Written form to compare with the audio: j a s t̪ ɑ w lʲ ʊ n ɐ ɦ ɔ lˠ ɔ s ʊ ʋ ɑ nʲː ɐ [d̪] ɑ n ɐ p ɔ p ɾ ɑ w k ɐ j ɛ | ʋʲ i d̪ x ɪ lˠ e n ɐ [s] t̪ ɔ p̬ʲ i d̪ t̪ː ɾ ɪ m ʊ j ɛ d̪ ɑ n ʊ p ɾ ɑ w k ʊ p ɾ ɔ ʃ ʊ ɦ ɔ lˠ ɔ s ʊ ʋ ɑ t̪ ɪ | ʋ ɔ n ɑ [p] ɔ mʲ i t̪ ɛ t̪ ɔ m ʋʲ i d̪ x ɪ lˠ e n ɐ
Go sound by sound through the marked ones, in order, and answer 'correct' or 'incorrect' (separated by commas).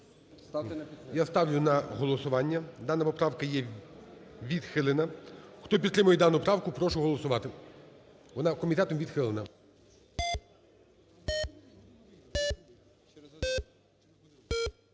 correct, incorrect, incorrect